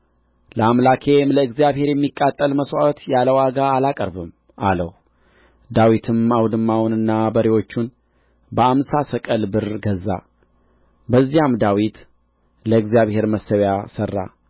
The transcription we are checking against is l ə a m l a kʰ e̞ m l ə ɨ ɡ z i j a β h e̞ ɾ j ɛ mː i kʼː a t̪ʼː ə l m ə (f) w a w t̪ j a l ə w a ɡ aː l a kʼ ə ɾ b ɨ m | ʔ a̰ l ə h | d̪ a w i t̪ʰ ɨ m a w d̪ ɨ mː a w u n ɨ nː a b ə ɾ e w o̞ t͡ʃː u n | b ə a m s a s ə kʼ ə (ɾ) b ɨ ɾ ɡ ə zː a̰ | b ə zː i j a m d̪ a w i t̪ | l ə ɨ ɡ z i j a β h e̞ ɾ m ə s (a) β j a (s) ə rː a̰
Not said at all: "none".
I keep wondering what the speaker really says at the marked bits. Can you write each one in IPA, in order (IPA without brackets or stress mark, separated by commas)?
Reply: s, l, ə, s